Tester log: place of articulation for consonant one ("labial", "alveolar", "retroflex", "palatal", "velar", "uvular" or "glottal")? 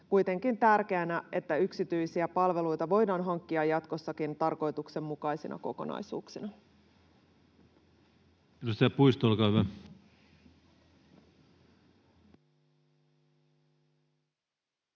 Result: velar